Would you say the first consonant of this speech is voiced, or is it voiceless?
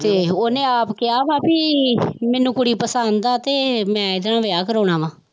voiceless